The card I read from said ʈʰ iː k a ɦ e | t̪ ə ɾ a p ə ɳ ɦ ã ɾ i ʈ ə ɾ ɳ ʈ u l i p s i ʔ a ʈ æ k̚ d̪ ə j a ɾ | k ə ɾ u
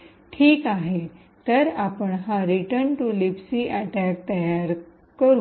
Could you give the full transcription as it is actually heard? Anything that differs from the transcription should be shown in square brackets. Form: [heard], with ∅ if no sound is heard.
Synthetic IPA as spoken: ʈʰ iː k a ɦ e | t̪ ə ɾ a p ə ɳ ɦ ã ɾ i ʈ ə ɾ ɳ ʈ u l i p s i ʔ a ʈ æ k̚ [t̪] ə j a ɾ | k ə ɾ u